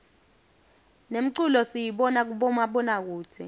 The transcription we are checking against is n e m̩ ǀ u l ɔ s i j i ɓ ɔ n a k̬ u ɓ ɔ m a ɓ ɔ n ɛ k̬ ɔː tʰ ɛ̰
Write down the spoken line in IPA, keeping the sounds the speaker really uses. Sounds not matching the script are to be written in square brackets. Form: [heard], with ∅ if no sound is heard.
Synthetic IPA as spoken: n e m̩ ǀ u l ɔ s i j i ɓ ɔ n a k̬ u ɓ ɔ m a ɓ ɔ n [a] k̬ [uː] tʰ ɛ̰